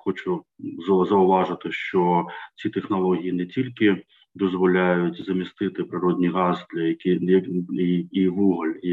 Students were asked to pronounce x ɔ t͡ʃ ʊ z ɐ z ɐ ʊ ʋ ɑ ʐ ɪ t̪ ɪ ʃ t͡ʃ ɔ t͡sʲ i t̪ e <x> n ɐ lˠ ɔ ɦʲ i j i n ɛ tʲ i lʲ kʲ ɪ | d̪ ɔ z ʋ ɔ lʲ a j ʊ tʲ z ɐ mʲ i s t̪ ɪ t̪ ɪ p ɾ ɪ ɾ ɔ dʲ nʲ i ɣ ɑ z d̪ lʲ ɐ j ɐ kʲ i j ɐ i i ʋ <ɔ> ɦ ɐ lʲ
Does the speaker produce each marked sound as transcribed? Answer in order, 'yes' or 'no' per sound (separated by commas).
yes, no